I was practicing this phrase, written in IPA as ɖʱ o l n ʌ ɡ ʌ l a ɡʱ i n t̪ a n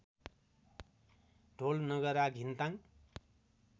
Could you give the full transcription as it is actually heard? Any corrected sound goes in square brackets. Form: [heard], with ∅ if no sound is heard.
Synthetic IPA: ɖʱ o l n ʌ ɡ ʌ [ɾ] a ɡʱ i n t̪ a [ŋ]